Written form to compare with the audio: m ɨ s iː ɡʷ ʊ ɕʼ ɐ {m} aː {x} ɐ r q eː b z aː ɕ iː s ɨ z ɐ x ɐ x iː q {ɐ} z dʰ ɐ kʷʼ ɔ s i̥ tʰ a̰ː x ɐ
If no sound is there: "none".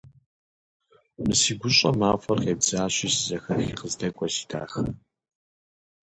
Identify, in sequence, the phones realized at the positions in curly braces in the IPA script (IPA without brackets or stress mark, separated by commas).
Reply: m, f, ə